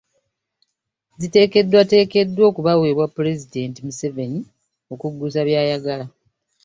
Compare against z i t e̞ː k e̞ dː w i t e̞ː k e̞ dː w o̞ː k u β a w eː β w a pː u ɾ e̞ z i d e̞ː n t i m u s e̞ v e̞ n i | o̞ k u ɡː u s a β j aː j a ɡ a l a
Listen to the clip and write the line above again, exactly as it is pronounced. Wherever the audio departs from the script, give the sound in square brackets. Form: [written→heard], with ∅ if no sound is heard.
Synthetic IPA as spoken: z i t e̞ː k e̞ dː w [i→a] t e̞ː k e̞ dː w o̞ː k u β a w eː β w a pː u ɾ e̞ z i d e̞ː n t i m u s e̞ v e̞ n i | o̞ k u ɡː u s a β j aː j a ɡ a l a